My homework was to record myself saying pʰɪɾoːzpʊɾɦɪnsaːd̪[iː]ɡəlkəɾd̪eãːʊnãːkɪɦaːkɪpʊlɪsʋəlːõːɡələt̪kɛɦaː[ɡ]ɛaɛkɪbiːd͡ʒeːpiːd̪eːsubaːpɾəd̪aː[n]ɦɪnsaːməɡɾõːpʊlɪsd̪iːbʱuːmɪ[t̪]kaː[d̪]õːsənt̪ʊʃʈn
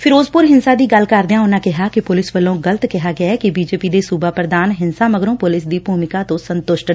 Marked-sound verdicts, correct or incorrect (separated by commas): correct, correct, correct, incorrect, incorrect